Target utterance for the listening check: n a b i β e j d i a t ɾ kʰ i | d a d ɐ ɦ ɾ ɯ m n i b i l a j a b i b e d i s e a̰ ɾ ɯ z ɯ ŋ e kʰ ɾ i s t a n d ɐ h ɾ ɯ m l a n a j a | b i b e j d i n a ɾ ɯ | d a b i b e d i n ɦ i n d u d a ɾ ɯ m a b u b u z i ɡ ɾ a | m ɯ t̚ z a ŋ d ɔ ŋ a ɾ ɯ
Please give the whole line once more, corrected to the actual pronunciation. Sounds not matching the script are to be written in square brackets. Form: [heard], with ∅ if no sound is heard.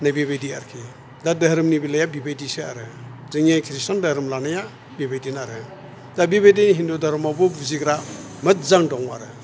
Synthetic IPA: n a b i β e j d i a [∅] ɾ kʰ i | d a d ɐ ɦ ɾ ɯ m n i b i l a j a b i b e d i s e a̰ ɾ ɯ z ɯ ŋ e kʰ ɾ i s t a n d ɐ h ɾ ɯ m l a n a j a | b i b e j d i n a ɾ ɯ | d a b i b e d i n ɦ i n d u d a ɾ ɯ m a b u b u z i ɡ ɾ a | m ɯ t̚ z a ŋ d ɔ ŋ a ɾ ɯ